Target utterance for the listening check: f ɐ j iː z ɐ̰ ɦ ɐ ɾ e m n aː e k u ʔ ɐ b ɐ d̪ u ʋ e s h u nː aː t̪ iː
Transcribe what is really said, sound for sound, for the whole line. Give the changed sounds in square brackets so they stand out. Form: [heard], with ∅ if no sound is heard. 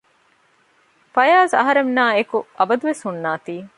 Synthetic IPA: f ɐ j [aː] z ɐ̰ ɦ ɐ ɾ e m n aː e k u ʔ ɐ b ɐ d̪ u ʋ e s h u nː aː t̪ iː